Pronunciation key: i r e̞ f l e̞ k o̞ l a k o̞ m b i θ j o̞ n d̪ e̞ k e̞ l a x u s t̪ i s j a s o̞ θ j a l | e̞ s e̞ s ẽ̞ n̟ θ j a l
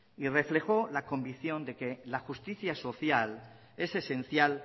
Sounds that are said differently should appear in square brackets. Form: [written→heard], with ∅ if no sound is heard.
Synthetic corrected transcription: i r e̞ f l e̞ [k→x] o̞ l a k o̞ m b i θ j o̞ n d̪ e̞ k e̞ l a x u s t̪ i [s→θ] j a s o̞ θ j a l | e̞ s e̞ s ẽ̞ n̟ θ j a l